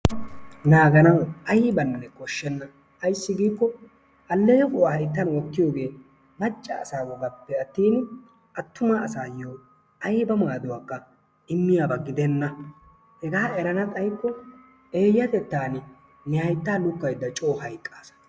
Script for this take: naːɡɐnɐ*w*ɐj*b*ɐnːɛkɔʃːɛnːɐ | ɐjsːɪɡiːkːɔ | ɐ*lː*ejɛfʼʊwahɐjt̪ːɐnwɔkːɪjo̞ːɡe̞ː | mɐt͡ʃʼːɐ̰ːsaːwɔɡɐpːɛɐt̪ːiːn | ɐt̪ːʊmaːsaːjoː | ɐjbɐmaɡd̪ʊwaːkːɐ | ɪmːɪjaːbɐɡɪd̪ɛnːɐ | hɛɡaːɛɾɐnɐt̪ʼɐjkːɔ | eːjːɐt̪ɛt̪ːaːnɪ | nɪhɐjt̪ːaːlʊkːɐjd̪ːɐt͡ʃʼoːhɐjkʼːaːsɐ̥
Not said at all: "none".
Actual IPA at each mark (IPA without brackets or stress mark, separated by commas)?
w, b, lː